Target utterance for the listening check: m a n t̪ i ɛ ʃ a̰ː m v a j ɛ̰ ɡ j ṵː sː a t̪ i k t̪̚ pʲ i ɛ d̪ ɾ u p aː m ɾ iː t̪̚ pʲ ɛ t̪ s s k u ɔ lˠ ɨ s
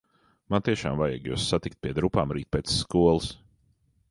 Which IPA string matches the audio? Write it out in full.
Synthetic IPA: m a n t̪ i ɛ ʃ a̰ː m v a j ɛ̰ ɡ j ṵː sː a t̪ i k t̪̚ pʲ i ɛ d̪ ɾ u p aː m ɾ iː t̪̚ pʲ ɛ t̪ s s k u ɔ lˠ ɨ s